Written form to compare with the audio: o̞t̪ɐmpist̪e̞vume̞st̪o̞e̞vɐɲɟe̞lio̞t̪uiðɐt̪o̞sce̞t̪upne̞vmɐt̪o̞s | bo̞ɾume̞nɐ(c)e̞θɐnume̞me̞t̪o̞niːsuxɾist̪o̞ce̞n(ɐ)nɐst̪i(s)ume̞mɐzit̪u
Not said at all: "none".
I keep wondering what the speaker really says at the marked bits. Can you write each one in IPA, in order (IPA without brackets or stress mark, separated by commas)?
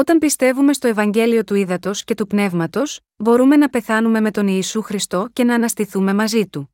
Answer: p, ɐː, θ